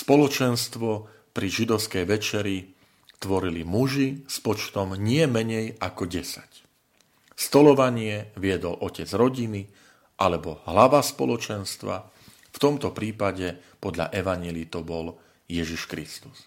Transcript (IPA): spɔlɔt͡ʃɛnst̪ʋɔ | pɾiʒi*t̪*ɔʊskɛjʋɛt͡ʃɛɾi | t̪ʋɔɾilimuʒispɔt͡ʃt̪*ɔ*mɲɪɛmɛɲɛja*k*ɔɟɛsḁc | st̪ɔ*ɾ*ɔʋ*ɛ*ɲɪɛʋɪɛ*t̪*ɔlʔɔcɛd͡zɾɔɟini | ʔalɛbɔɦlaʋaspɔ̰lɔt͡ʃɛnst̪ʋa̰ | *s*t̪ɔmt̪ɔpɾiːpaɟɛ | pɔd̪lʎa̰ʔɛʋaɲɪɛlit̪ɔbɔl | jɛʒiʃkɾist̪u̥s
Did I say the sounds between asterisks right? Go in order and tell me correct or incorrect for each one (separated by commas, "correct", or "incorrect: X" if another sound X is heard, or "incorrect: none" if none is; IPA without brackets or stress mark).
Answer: incorrect: d̪, correct, correct, incorrect: l, incorrect: a, incorrect: d̪, incorrect: f